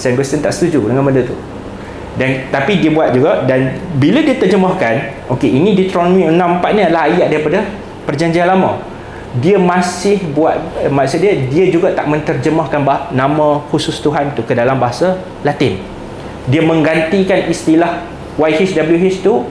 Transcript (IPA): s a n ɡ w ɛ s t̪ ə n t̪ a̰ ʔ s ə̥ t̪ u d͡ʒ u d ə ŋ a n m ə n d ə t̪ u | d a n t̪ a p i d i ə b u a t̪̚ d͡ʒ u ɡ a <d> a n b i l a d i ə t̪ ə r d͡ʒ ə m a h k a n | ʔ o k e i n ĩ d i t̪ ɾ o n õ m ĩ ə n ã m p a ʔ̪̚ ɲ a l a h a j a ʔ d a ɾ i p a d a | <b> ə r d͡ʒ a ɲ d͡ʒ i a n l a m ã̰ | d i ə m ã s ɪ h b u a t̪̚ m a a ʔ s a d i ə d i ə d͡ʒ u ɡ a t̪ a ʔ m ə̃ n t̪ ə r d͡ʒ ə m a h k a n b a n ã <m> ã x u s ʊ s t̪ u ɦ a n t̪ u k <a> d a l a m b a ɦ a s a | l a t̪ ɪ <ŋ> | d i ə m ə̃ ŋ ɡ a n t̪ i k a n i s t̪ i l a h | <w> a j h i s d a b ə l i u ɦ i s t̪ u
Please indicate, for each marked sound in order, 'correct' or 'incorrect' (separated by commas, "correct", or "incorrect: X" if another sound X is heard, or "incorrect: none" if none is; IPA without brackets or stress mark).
correct, incorrect: p, correct, incorrect: ə, incorrect: n, correct